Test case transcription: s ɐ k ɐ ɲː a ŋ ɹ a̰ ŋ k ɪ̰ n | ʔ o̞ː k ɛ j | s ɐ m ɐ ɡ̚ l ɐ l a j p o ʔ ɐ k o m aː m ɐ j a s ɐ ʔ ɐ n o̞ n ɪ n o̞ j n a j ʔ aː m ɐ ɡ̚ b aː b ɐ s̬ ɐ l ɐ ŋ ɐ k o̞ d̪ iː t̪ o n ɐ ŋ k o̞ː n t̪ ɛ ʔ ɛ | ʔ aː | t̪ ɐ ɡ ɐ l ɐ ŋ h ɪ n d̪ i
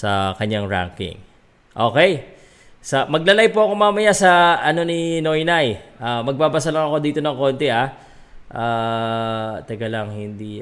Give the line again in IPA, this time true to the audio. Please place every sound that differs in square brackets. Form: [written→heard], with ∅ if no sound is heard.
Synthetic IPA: s ɐ k ɐ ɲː a ŋ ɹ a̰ ŋ k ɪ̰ [n→ŋ] | ʔ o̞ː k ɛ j | s ɐ m ɐ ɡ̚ l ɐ l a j p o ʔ ɐ k o m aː m ɐ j a s ɐ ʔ ɐ n o̞ n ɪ n o̞ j n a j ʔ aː m ɐ ɡ̚ b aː b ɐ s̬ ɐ l ɐ ŋ ɐ k o̞ d̪ iː t̪ o n ɐ ŋ k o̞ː n t̪ ɛ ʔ [ɛ→a] | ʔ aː | t̪ ɐ ɡ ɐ l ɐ ŋ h ɪ n d̪ i